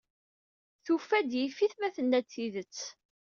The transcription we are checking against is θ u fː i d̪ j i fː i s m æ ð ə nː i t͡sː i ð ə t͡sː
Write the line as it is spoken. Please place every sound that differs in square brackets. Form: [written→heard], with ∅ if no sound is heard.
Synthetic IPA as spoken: θ u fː [i→æ] d̪ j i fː i [s→θ] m æ [ð→θ] ə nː [i→æ] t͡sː i ð ə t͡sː